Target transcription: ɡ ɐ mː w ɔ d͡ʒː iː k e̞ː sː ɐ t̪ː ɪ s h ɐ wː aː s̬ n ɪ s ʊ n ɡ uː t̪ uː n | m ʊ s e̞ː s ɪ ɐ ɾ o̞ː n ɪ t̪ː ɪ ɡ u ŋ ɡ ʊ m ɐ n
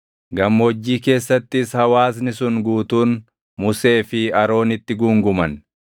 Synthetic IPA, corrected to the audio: ɡ ɐ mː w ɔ d͡ʒː iː k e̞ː sː ɐ t̪ː ɪ s h ɐ w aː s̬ n ɪ s ʊ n ɡ uː t̪ uː n | m ʊ s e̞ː f ɪ ɐ ɾ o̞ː n ɪ t̪ː ɪ ɡ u ŋ ɡ ʊ m ɐ n

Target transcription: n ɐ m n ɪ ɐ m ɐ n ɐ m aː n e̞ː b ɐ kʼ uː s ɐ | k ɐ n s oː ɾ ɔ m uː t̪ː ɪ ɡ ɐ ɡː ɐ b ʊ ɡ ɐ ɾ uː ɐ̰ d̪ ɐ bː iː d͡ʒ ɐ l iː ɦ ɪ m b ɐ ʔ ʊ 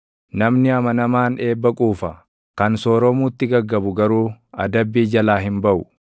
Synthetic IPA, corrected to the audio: n ɐ m n ɪ ɐ m ɐ n ɐ m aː n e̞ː bː ɐ kʼ uː f ɐ | k ɐ n s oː ɾ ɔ m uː t̪ː ɪ ɡ ɐ ɡː ɐ b ʊ ɡ ɐ ɾ uː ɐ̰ d̪ ɐ bː iː d͡ʒ ɐ l aː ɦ ɪ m b ɐ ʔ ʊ

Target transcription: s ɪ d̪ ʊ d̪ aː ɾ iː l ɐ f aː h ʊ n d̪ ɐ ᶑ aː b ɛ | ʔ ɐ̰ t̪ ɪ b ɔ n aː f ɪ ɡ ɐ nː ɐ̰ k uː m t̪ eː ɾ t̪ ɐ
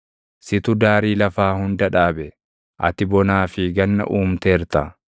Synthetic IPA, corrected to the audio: s ɪ t̪ ʊ d̪ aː ɾ iː l ɐ f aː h ʊ n d̪ ɐ ᶑ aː b ɛ | ʔ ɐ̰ t̪ ɪ b ɔ n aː f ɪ ɡ ɐ nː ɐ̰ ʔ uː m t̪ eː ɾ t̪ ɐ

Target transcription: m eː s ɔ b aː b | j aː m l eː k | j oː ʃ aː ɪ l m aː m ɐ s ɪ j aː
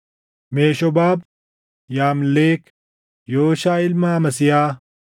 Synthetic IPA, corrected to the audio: m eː ʃ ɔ b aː b | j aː m l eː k | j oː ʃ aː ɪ l m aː m ɐ s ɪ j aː

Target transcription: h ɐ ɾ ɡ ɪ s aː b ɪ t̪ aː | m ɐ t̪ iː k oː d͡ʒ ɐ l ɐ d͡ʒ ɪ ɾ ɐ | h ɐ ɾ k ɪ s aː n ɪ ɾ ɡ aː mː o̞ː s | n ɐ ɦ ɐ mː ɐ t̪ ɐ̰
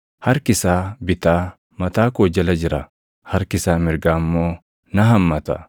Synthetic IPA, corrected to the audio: h ɐ ɾ k ɪ s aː b ɪ t̪ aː | m ɐ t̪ aː k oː d͡ʒ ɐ l ɐ d͡ʒ ɪ ɾ ɐ | h ɐ ɾ k ɪ s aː m ɪ ɾ ɡ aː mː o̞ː | n ɐ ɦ ɐ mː ɐ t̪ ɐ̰

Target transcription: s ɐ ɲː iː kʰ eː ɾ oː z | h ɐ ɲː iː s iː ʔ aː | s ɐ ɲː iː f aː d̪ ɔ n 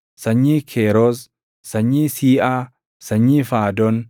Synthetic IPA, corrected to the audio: s ɐ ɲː iː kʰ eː ɾ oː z | s ɐ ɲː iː s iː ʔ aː | s ɐ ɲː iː f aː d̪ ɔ n

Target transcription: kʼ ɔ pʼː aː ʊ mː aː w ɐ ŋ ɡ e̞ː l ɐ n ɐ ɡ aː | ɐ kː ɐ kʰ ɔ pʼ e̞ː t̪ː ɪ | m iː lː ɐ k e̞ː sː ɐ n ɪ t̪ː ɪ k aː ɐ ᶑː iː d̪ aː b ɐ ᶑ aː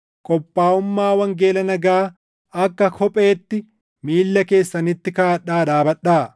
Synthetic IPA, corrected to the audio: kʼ ɔ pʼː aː ʊ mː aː w ɐ ŋ ɡ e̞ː l ɐ n ɐ ɡ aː | ɐ kː ɐ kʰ ɔ pʼ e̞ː t̪ː ɪ | m iː lː ɐ k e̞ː sː ɐ n ɪ t̪ː ɪ k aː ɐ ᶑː aː d̪ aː b ɐ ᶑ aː

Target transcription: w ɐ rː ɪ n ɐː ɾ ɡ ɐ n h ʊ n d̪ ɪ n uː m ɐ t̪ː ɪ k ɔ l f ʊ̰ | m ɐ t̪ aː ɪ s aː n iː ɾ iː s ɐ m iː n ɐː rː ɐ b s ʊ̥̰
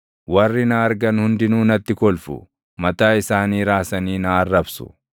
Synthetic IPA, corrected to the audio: w ɐ rː ɪ n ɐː ɾ ɡ ɐ n h ʊ n d̪ ɪ n uː n ɐ t̪ː ɪ k ɔ l f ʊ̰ | m ɐ t̪ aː ɪ s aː n iː ɾ aː s ɐ n iː n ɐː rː ɐ b s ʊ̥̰

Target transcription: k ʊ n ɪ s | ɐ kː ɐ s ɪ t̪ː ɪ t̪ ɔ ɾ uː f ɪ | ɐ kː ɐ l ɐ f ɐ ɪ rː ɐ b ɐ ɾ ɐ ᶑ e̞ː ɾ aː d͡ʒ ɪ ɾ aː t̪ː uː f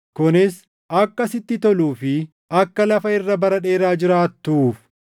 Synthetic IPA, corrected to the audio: k ʊ n ɪ s | ɐ kː ɐ s ɪ t̪ː ɪ t̪ ɔ l uː f ɪ | ɐ kː ɐ l ɐ f ɐ ɪ rː ɐ b ɐ ɾ ɐ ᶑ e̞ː ɾ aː d͡ʒ ɪ ɾ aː t̪ː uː f

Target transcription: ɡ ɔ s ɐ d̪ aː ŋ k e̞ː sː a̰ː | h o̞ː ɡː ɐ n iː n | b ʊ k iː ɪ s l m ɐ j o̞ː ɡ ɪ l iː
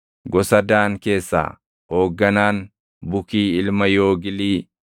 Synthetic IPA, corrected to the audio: ɡ ɔ s ɐ d̪ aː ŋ k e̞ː sː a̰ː | h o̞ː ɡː ɐ n aː n | b ʊ k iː ɪ l m ɐ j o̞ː ɡ ɪ l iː

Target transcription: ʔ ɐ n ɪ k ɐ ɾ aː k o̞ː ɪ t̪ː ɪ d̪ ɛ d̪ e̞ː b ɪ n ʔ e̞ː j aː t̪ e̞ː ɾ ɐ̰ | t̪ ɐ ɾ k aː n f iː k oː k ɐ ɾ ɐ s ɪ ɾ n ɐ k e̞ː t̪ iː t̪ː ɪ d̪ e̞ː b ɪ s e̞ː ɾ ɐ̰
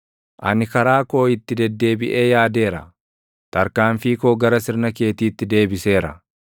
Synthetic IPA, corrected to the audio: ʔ ɐ n ɪ k ɐ ɾ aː k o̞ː ɪ t̪ː ɪ d̪ ɛ d̪ː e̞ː b ɪ ʔ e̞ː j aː d̪ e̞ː ɾ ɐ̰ | t̪ ɐ ɾ k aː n f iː k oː ɡ ɐ ɾ ɐ s ɪ ɾ n ɐ k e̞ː t̪ iː t̪ː ɪ d̪ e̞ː b ɪ s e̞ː ɾ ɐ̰

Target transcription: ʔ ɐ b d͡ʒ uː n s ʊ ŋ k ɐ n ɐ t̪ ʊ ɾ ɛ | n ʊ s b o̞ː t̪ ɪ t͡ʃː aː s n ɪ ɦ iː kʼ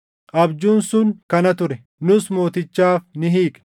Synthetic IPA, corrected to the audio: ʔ ɐ b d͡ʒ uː n s ʊ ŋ k ɐ n ɐ t̪ ʊ ɾ ɛ | n ʊ s m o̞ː t̪ ɪ t͡ʃː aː f n ɪ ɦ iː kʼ

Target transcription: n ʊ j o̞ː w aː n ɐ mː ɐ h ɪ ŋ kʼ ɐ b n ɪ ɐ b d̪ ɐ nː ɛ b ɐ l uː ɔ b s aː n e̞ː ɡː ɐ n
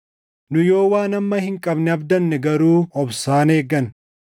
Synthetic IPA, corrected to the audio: n ʊ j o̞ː w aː n ɐ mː ɐ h ɪ ŋ kʼ ɐ b n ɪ ɐ b d̪ ɐ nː ɛ ɡ ɐ ɾ uː ɔ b s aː n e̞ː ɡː ɐ n

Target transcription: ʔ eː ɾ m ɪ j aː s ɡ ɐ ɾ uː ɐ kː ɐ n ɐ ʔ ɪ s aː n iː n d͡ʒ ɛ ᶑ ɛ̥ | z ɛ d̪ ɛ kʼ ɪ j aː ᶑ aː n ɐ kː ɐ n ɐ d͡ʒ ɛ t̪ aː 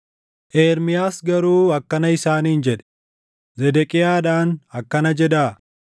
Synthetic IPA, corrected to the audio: ʔ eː ɾ m ɪ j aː s ɡ ɐ ɾ uː ɐ kː ɐ n ɐ ɪ s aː n iː n d͡ʒ ɛ ᶑ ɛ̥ | z ɛ d̪ ɛ kʼ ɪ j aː ᶑ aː n ɐ kː ɐ n ɐ d͡ʒ ɛ d̪ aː

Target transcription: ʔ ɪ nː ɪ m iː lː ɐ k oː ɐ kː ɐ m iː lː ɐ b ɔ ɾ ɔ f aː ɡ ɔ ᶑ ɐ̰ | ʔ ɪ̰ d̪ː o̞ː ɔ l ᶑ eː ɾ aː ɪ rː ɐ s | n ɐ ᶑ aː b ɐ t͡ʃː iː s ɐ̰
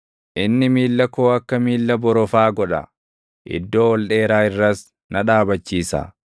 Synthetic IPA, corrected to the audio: ʔ ɪ nː ɪ m iː lː ɐ k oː ɐ kː ɐ m iː lː ɐ b ɔ ɾ ɔ f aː ɡ ɔ ᶑ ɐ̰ | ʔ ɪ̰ d̪ː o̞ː ɔ l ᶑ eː ɾ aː ɪ rː ɐ s | n ɐ ᶑ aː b ɐ t͡ʃː iː s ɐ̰

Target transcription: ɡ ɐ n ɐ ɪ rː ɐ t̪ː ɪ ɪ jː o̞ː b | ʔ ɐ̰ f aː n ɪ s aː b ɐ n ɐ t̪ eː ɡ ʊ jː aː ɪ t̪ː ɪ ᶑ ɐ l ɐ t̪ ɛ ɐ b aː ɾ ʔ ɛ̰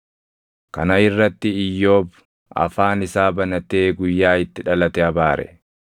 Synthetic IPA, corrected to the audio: k ɐ n ɐ ɪ rː ɐ t̪ː ɪ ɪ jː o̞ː b | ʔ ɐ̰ f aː n ɪ s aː b ɐ n ɐ t̪ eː ɡ ʊ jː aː ɪ t̪ː ɪ ᶑ ɐ l ɐ t̪ ɛ ɐ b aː ɾ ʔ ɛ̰

